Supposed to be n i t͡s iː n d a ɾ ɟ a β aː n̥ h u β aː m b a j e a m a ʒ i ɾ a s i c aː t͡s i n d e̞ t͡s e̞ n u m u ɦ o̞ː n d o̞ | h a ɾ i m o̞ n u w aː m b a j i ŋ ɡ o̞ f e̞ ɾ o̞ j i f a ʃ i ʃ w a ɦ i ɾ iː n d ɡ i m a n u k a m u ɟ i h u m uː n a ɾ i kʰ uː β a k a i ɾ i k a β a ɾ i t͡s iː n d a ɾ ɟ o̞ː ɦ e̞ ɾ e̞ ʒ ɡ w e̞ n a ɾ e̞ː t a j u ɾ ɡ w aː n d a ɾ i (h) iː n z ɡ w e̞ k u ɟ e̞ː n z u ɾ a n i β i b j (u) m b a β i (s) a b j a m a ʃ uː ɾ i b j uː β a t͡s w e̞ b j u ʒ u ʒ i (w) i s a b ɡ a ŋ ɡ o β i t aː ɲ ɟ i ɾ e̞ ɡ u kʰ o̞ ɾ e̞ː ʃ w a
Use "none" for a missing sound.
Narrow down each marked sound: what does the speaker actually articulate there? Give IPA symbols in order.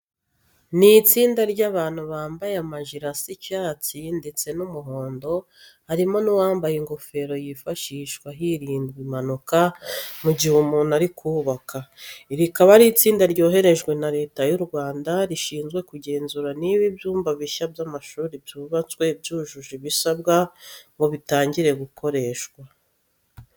ʃ, uː, ʃ, β

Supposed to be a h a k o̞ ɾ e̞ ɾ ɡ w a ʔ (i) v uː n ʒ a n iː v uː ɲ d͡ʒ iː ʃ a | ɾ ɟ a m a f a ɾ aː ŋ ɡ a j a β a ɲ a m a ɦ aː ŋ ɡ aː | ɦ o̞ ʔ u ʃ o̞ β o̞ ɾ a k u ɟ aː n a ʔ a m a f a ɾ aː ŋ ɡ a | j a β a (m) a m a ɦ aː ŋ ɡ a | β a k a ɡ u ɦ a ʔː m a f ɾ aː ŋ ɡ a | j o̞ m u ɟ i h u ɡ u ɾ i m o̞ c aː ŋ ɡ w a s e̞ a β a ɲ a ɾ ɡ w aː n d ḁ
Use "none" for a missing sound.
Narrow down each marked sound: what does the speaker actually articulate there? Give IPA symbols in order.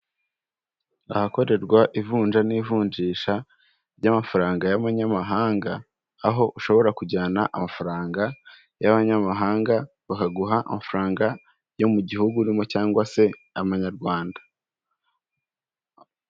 i, ɲ

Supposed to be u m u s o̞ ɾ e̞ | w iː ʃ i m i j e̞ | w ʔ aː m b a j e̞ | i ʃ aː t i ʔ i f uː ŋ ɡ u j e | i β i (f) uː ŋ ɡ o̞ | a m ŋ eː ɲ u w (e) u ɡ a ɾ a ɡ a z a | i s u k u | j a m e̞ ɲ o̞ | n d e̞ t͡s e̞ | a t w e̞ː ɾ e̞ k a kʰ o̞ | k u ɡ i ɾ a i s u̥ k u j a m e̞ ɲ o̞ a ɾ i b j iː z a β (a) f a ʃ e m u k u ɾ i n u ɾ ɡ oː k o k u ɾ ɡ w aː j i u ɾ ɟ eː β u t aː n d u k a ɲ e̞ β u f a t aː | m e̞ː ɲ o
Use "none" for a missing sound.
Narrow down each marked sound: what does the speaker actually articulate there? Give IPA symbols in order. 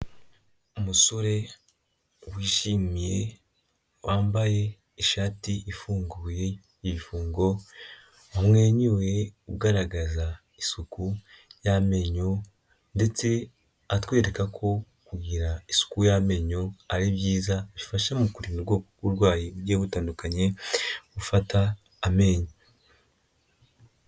f, e, i

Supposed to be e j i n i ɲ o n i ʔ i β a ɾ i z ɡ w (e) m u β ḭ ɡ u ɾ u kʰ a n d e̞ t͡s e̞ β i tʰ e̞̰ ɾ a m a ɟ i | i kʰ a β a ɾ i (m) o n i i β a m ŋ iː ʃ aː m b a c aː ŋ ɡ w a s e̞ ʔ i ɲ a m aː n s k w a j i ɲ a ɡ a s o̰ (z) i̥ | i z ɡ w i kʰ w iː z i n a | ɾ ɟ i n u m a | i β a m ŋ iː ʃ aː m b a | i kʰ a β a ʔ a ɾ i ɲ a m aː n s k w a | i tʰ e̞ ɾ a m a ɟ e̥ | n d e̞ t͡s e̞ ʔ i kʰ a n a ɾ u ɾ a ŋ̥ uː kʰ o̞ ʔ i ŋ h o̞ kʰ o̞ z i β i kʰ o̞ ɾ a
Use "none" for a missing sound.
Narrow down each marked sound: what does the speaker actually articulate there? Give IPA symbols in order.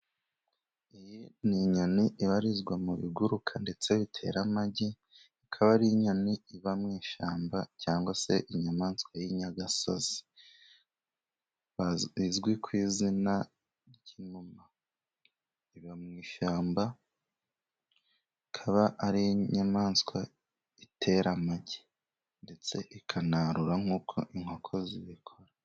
a, ɲ, z

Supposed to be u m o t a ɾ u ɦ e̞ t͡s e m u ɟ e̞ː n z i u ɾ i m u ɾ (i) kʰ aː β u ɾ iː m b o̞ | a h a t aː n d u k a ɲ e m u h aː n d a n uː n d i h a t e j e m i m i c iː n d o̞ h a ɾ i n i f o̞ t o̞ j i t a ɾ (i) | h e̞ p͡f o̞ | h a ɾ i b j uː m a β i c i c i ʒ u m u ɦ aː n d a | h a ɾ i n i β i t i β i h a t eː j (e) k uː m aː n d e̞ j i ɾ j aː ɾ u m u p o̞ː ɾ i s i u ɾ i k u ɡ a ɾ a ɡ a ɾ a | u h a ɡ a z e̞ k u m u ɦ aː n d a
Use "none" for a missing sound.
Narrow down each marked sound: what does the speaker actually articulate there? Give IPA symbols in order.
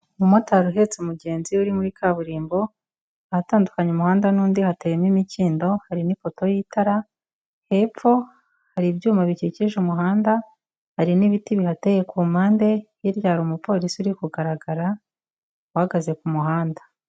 i, a, e

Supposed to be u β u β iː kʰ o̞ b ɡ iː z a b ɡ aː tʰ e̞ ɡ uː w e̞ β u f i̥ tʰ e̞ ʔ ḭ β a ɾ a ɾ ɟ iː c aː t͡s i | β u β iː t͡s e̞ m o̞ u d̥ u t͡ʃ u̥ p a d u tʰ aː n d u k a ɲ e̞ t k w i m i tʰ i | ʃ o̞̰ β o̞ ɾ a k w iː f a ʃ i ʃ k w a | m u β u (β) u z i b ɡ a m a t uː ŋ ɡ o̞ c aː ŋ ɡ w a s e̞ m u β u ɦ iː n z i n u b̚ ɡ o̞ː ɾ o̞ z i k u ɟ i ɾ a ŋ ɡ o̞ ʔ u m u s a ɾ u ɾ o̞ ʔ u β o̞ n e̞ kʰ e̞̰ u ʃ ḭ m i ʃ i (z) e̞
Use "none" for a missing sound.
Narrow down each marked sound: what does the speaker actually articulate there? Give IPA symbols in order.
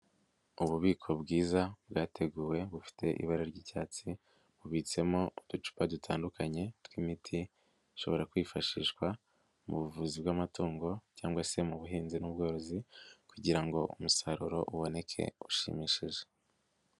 v, ʒ

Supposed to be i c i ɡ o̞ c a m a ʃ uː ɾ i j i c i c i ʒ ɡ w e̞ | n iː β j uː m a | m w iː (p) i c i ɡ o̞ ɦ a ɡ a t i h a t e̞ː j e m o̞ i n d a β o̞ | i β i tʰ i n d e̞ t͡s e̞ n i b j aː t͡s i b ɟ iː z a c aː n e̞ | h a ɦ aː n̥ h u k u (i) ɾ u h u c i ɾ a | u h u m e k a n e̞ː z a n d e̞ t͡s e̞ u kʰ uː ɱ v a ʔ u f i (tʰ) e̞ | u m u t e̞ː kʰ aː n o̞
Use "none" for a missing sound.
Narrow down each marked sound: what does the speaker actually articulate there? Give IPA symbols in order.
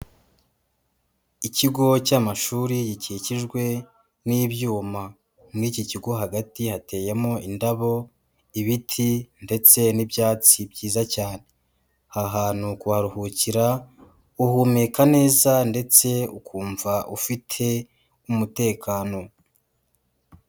c, a, tʰ

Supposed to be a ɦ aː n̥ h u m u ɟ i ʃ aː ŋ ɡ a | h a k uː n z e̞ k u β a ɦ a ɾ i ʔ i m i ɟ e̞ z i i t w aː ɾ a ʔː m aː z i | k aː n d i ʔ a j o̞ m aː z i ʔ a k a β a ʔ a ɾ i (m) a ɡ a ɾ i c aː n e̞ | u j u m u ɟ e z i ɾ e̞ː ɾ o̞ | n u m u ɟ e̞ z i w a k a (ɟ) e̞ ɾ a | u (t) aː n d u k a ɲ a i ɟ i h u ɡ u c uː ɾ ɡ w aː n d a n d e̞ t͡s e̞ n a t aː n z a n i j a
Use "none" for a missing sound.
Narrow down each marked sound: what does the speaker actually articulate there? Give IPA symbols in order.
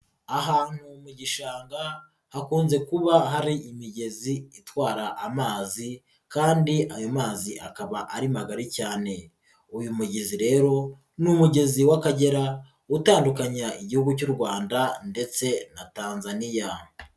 m, ɟ, t

